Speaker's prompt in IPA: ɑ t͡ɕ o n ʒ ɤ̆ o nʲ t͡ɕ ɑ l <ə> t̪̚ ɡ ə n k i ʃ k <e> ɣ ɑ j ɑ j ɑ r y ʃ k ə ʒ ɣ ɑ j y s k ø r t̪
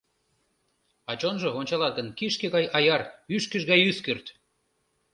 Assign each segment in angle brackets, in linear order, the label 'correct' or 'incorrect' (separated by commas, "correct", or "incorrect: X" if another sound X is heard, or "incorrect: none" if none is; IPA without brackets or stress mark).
incorrect: ɑ, correct